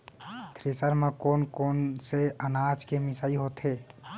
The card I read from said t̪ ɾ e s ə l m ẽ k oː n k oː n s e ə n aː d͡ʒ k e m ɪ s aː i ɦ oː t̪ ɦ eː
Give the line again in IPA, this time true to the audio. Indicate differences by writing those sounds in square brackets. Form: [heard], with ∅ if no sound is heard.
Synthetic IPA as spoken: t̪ ɾ e s ə [ɾ] m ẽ k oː n k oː n s e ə n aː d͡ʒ k e m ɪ s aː i ɦ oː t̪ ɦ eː

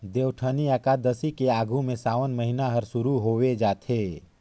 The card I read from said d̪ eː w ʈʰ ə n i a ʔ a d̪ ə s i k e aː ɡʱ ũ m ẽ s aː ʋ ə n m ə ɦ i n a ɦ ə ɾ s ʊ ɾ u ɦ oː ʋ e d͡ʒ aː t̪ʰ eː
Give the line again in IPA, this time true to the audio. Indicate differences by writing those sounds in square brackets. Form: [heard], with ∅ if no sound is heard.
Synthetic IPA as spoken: d̪ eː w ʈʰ ə n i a [k] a d̪ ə s i k e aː ɡʱ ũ m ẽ s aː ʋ ə n m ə ɦ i n a ɦ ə ɾ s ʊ ɾ u ɦ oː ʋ e d͡ʒ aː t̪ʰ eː

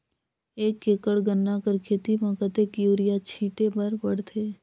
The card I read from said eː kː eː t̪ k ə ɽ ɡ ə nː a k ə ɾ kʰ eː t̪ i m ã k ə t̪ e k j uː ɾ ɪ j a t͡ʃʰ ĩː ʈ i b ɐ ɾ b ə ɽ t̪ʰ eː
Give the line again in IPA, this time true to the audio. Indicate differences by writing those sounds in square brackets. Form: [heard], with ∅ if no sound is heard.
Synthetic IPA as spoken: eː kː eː [∅] k ə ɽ ɡ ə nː a k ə ɾ kʰ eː t̪ i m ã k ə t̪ e k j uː ɾ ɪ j a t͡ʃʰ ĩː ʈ [e] b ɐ ɾ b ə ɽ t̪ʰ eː

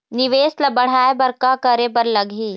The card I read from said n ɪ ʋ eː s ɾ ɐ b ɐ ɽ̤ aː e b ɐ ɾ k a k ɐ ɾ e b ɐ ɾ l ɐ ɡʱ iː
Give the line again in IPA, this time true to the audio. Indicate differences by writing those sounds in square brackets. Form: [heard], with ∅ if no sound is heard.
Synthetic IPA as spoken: n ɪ ʋ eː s [l] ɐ b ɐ ɽ̤ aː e b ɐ ɾ k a k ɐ ɾ e b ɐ ɾ l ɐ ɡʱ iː

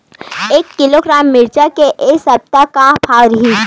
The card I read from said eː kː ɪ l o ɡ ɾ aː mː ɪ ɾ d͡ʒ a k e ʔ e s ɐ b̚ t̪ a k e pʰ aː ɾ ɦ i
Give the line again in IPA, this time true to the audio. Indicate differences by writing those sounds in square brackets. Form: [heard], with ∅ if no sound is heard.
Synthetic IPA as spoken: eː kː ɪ l o ɡ ɾ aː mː ɪ ɾ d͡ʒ a k e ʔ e s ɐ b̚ t̪ a k [a] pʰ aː ɾ ɦ i

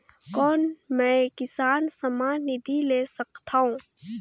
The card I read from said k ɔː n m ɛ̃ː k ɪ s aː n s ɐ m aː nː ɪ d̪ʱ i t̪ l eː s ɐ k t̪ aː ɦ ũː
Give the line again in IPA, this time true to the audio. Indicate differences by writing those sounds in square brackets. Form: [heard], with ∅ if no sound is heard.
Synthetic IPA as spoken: k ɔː n m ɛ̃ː k ɪ s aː n s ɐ m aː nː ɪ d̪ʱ i [∅] l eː s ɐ k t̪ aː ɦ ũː

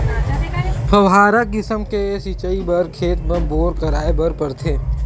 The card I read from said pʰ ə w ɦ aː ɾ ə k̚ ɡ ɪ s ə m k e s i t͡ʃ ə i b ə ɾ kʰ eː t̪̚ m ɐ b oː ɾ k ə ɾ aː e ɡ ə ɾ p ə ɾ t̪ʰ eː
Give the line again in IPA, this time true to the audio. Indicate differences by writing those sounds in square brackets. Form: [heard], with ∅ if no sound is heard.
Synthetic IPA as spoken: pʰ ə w ɦ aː ɾ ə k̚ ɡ ɪ s ə m k e s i t͡ʃ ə i b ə ɾ kʰ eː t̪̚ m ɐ b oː ɾ k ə ɾ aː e [b] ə ɾ p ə ɾ t̪ʰ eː

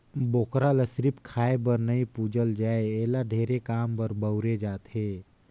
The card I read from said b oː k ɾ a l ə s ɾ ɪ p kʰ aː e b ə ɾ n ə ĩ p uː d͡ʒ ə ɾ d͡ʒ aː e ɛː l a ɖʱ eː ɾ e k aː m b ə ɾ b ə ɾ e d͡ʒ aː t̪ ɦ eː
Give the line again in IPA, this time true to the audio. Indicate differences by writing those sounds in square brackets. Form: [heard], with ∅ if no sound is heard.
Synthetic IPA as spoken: b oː k ɾ a l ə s ɾ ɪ p kʰ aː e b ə ɾ n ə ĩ p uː d͡ʒ ə [l] d͡ʒ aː e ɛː l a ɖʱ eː ɾ e k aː m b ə ɾ b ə ɾ e d͡ʒ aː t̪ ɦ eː

